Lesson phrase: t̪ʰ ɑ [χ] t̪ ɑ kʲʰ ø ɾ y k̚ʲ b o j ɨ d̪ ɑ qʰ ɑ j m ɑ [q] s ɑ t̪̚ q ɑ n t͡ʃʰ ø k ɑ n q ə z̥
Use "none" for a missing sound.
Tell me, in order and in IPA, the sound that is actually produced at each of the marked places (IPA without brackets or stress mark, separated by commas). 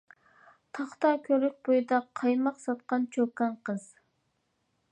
χ, q